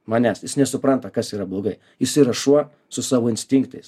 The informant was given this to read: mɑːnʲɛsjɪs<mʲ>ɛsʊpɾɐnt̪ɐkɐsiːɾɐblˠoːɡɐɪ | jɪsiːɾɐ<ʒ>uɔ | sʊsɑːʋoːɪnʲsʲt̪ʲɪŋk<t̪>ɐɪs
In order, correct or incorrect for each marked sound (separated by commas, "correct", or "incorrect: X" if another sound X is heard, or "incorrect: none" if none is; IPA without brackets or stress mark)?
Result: incorrect: nʲ, incorrect: ʃ, correct